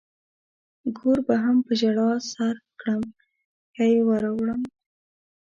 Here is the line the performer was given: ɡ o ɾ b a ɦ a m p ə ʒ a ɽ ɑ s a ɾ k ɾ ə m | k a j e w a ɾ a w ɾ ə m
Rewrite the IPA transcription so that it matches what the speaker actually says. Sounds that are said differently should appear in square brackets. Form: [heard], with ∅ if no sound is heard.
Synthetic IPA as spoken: ɡ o ɾ b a ɦ a m p ə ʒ a ɽ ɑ s a ɾ k [ɽ] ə m | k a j e w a ɾ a w [ɽ] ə m